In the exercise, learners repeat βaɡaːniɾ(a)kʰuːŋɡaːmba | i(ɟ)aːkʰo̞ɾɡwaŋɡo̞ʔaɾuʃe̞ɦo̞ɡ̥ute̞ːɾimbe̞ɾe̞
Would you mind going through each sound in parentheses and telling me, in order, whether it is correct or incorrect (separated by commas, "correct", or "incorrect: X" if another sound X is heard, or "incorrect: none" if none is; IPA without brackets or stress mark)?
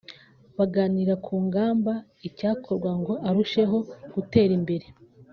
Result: correct, incorrect: c